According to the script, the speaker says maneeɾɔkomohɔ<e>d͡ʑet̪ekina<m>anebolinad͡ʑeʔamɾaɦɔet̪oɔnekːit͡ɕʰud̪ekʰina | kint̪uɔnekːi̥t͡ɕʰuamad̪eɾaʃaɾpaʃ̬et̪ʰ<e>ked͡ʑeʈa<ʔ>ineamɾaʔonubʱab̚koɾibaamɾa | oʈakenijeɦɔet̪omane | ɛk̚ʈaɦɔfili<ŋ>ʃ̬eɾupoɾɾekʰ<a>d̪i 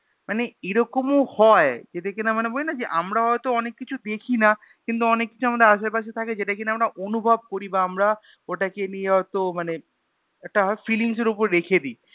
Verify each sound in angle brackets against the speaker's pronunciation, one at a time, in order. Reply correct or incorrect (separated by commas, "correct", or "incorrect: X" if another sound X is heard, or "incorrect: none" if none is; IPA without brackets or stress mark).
correct, correct, incorrect: a, incorrect: k, correct, incorrect: e